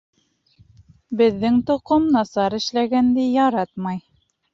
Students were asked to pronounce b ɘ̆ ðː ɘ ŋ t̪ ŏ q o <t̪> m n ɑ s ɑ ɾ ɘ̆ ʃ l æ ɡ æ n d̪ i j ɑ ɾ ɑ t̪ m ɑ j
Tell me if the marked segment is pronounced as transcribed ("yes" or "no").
no